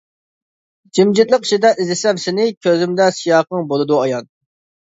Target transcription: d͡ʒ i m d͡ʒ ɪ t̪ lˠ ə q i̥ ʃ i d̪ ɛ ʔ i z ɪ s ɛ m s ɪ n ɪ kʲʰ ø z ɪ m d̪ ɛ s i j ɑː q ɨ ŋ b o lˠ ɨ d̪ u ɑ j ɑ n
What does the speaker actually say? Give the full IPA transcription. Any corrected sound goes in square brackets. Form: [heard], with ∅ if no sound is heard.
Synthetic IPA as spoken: d͡ʒ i m d͡ʒ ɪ t̪ lˠ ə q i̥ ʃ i d̪ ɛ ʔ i z ɪ s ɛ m s ɪ n ɪ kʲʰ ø z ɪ m d̪ ɛ s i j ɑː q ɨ ŋ b o lˠ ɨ d̪ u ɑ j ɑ n

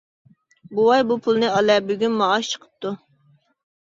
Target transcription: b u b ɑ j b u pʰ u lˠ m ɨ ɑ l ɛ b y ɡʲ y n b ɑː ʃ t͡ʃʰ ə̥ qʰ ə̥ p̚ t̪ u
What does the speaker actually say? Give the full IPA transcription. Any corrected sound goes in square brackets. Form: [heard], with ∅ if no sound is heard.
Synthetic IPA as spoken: b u [w] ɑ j b u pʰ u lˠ [n] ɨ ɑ l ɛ b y ɡʲ y n [m] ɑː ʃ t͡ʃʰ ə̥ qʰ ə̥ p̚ t̪ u

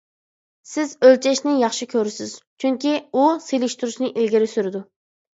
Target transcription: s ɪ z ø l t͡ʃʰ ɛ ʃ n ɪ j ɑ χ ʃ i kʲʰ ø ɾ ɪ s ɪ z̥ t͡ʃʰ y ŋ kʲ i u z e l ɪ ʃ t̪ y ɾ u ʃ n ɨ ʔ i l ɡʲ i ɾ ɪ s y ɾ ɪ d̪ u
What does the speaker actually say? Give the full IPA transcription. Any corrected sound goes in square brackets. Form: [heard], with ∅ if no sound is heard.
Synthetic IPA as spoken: s ɪ z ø l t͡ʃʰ ɛ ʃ n ɪ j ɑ χ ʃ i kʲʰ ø ɾ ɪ s ɪ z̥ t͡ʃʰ y ŋ kʲ i u [s] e l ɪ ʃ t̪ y ɾ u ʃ n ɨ ʔ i l ɡʲ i ɾ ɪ s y ɾ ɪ d̪ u

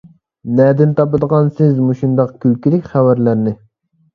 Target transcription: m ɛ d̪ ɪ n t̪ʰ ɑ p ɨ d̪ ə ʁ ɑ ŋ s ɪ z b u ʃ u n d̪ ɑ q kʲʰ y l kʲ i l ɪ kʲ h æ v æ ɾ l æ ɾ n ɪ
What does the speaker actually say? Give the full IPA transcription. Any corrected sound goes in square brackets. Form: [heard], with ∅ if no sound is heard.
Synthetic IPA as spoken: [n] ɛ d̪ ɪ n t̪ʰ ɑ p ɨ d̪ ə ʁ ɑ [n] s ɪ z [m] u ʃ u n d̪ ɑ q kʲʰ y l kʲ i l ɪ kʲ [χ] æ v æ ɾ l æ ɾ n ɪ

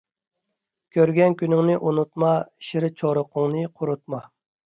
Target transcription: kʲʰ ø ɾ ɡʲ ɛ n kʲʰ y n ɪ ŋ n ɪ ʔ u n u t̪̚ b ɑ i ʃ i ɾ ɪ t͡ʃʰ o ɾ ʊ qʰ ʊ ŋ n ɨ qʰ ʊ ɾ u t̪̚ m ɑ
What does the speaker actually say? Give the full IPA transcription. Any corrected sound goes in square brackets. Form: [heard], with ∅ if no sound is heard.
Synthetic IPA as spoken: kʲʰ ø ɾ ɡʲ ɛ n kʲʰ y n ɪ ŋ n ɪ ʔ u n u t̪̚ [m] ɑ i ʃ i ɾ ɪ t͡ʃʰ o ɾ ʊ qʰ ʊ ŋ n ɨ qʰ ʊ ɾ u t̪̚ m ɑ

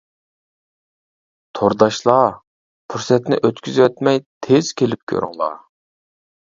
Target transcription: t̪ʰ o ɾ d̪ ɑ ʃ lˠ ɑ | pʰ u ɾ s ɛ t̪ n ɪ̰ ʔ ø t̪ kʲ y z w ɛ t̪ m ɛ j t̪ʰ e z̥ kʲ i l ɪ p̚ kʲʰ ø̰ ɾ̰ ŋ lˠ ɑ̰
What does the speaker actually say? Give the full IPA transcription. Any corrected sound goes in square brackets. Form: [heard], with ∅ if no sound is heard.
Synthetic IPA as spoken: t̪ʰ o ɾ d̪ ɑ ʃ lˠ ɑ | pʰ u ɾ s ɛ t̪ n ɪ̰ ʔ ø t̪ kʲ y z w ɛ t̪ m ɛ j t̪ʰ e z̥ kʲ [e] l ɪ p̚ kʲʰ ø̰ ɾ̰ ŋ lˠ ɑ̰

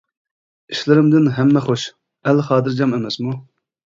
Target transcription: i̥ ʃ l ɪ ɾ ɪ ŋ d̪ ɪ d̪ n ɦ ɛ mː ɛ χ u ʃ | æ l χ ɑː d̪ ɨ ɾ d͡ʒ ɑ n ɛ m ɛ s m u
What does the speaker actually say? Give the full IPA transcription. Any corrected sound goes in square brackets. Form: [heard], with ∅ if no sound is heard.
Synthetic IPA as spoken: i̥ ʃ l ɪ ɾ ɪ [m] d̪ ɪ [∅] n ɦ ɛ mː ɛ χ [o] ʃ | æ l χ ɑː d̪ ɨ ɾ d͡ʒ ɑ [m] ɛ m ɛ s m u

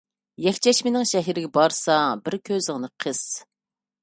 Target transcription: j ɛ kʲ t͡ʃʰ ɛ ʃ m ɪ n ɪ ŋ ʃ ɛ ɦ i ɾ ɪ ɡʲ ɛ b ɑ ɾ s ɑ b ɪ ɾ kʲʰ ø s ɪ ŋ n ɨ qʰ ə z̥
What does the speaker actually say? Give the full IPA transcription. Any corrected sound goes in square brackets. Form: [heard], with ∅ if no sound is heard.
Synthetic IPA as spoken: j ɛ kʲ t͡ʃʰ ɛ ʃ m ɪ n ɪ ŋ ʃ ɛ ɦ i ɾ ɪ ɡʲ ɛ b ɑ ɾ s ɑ b ɪ ɾ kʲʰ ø [z] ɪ ŋ n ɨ qʰ ə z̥

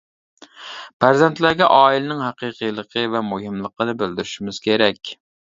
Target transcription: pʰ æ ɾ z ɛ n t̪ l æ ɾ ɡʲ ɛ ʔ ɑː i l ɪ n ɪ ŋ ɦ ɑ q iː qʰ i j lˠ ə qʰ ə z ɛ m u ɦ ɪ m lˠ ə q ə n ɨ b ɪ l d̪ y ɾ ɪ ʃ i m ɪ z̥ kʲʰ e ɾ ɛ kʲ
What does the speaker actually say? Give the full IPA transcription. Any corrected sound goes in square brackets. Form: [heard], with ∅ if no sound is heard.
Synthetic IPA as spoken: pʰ æ ɾ z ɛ n t̪ l æ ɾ ɡʲ ɛ ʔ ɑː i l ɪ n ɪ ŋ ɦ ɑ q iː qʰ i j lˠ ə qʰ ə [v] ɛ m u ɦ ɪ m lˠ ə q ə n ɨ b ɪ l d̪ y ɾ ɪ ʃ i m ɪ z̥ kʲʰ e ɾ ɛ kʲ

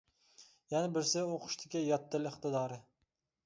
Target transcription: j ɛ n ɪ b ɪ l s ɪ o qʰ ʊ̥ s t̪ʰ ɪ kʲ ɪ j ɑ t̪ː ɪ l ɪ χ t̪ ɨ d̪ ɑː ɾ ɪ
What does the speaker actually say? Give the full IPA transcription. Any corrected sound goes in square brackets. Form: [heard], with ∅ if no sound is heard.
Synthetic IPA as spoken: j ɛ n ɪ b ɪ [ɾ] s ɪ o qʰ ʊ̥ [ʃ] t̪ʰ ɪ kʲ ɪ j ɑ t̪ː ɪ l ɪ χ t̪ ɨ d̪ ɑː ɾ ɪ

